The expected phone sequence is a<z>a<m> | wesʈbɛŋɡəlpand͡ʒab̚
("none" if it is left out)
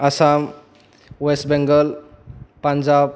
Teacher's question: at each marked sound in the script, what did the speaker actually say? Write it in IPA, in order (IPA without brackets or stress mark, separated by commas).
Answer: s, m